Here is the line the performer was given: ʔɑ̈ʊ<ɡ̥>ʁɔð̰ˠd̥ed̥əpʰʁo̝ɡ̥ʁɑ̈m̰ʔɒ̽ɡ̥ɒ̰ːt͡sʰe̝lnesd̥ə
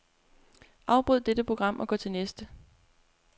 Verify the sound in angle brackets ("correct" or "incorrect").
incorrect